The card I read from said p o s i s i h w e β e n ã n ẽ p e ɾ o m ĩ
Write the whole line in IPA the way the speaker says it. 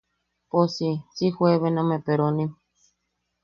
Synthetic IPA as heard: p o s i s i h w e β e n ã m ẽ p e ɾ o n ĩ